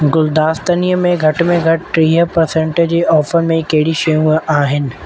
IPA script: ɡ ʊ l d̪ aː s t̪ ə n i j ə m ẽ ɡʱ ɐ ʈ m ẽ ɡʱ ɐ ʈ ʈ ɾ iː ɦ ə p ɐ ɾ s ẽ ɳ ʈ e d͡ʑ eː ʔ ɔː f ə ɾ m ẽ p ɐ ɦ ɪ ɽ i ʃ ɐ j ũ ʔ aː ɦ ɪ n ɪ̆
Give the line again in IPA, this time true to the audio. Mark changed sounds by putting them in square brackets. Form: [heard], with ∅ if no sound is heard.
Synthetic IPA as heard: ɡ ʊ l d̪ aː s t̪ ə n i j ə m ẽ ɡʱ ɐ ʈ m ẽ ɡʱ ɐ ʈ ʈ ɾ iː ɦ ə p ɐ ɾ s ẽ ɳ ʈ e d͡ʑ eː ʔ ɔː f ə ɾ m ẽ [k] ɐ ɦ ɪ ɽ i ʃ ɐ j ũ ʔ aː ɦ ɪ n ɪ̆